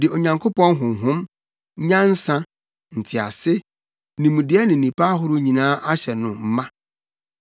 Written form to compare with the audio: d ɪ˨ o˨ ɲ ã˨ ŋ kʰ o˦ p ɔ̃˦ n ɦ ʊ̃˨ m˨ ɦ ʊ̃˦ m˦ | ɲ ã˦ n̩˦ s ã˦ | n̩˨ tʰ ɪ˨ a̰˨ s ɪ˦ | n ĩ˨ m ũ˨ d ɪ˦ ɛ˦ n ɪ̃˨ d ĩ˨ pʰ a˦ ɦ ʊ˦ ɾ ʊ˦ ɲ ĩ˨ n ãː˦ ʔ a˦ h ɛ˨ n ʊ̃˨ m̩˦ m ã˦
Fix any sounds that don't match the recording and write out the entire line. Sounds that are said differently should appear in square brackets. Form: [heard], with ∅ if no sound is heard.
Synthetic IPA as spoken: d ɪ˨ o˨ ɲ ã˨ ŋ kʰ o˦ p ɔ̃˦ n ɦ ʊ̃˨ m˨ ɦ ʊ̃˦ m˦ | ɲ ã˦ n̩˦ s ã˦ | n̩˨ tʰ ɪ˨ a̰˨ s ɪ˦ | n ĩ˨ m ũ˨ d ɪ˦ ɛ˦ n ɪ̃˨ [n] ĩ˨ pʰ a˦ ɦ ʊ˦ ɾ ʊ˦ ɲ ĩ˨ n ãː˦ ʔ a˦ [ɕ] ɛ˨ n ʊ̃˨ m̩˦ m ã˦